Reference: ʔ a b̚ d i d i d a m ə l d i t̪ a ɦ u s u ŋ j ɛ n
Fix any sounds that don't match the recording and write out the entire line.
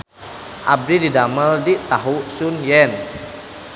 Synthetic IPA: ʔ a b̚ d i d i d a m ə l d i t̪ a ɦ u s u n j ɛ n